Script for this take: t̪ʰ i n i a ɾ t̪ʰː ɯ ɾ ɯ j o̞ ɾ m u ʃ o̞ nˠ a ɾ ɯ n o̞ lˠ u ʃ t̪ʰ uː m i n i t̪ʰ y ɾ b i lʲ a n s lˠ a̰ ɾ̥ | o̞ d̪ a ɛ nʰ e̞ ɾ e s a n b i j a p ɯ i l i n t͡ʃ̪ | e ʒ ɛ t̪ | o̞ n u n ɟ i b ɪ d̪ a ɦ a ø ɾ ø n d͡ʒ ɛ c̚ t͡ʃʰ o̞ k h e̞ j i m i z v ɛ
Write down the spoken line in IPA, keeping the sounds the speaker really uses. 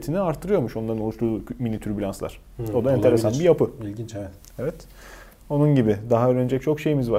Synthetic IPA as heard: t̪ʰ i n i a ɾ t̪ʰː ɯ ɾ ɯ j o̞ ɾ m u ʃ o̞ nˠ a ɾ ɯ n o̞ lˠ u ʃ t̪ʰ uː m i n i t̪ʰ y ɾ b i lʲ a n s lˠ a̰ ɾ̥ | o̞ d̪ a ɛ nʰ e̞ ɾ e s a n b i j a p ɯ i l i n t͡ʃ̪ | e v ɛ t̪ | o̞ n u n ɟ i b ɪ d̪ a ɦ a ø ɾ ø n d͡ʒ ɛ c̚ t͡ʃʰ o̞ k ʃ e̞ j i m i z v a